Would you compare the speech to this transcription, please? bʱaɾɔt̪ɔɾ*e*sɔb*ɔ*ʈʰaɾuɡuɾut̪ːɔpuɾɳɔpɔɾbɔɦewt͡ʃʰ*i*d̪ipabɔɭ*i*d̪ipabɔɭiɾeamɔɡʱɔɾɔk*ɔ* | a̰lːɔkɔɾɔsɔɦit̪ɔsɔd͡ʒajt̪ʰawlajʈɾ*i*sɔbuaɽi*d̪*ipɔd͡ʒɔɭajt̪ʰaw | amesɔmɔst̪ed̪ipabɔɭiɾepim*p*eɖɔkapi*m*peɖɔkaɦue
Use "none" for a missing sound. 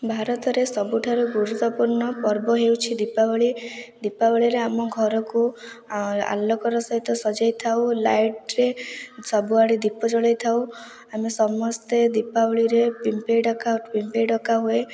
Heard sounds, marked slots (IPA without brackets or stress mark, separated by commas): e, u, i, i, u, e, d̪, p, m